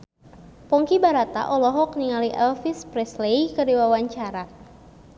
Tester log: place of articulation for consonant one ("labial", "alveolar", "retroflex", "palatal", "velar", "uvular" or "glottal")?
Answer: labial